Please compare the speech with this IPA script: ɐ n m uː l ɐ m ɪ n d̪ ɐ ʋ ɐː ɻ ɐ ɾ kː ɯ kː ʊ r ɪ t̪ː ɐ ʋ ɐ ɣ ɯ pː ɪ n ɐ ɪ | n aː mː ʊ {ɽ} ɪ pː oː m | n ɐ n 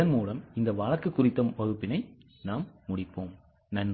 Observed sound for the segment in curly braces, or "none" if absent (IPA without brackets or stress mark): ɽ